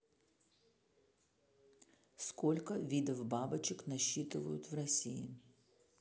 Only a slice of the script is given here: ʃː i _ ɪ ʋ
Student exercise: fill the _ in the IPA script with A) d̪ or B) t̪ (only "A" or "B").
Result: B